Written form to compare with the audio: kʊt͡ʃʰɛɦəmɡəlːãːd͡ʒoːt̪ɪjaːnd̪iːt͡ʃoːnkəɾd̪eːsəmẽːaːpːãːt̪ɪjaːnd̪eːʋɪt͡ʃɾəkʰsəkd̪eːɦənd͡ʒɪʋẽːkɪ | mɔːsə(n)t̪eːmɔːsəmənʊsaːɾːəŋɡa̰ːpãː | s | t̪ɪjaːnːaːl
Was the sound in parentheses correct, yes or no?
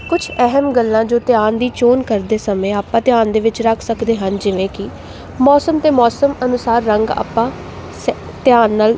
no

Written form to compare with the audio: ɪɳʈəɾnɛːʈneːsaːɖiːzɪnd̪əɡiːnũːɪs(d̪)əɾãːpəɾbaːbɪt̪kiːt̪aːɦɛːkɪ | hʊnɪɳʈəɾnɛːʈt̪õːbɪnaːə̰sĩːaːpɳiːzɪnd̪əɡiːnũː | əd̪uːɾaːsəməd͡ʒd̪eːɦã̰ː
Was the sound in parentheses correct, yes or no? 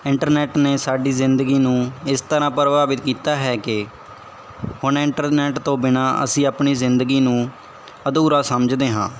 no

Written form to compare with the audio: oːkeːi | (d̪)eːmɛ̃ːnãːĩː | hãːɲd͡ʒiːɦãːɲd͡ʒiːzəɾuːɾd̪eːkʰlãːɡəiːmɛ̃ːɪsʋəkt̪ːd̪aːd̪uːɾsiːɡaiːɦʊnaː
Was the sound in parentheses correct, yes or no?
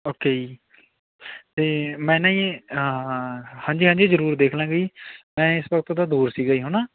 no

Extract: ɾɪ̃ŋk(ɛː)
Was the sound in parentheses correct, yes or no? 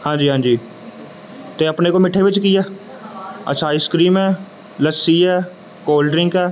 yes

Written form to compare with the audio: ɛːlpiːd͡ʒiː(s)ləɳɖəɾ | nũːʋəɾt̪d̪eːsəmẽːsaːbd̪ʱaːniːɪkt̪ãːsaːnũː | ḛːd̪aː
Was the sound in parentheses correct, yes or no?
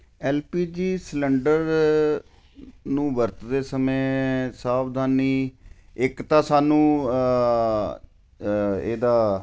yes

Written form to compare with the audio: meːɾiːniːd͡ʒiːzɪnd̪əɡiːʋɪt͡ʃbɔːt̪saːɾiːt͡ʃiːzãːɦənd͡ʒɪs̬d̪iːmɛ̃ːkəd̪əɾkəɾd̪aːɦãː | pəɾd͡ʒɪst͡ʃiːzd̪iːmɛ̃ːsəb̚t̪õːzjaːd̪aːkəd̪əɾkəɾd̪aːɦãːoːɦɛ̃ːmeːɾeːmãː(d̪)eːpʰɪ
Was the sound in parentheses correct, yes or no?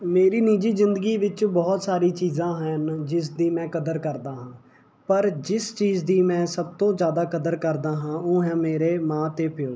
no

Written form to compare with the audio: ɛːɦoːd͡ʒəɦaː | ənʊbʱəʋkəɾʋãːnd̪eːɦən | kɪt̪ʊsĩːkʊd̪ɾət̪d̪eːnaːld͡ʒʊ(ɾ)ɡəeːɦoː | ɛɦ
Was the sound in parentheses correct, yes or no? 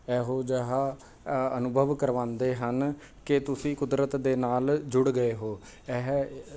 no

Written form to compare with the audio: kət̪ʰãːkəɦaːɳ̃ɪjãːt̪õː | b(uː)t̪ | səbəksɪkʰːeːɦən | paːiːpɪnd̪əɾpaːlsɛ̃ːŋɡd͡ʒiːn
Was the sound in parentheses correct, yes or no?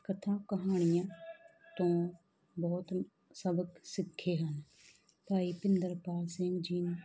no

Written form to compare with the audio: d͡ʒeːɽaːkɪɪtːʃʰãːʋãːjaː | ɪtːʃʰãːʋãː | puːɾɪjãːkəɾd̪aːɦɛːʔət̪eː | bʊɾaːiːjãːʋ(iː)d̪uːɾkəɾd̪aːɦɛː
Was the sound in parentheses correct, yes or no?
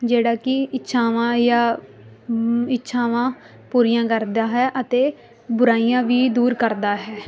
yes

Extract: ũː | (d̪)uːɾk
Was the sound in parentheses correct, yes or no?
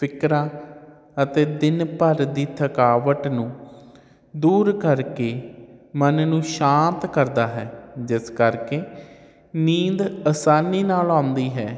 yes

